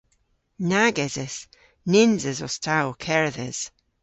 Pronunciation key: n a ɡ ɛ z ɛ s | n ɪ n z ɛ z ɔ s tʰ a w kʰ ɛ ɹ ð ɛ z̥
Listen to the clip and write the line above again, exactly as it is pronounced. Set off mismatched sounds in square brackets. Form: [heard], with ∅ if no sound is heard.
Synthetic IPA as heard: n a ɡ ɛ z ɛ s | n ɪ n z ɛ z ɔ s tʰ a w kʰ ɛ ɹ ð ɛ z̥